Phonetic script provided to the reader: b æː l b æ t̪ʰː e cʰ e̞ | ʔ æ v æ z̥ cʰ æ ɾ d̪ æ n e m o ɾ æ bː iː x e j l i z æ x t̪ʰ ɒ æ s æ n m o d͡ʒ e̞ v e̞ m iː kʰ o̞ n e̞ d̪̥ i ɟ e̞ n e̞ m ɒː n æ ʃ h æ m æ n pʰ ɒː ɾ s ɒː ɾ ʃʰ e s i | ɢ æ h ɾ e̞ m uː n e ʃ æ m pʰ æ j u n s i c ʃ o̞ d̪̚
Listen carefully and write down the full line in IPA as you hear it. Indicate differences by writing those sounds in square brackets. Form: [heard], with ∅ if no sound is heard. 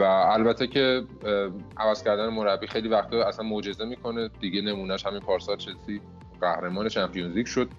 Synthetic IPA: [v] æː l b æ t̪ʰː e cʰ e̞ | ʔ æ v æ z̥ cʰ æ ɾ d̪ æ n e m o ɾ æ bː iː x e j l i [v] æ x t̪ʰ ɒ æ s æ n m o d͡ʒ e̞ [z] e̞ m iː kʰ o̞ n e̞ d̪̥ i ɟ e̞ n e̞ m [uː] n æ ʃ h æ m [i] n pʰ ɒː ɾ s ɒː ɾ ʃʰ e s i | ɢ æ h ɾ e̞ m [ɒː] n e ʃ æ m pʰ [i] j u n [z] i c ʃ o̞ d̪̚